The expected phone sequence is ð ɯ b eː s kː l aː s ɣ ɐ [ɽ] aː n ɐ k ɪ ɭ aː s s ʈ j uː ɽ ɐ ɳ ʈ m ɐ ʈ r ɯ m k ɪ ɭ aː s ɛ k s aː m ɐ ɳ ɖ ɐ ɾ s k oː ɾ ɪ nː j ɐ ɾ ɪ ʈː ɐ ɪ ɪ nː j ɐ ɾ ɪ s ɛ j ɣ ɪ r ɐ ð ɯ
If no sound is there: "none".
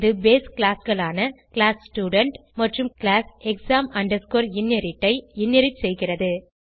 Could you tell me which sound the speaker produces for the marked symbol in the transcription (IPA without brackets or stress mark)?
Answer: ɭ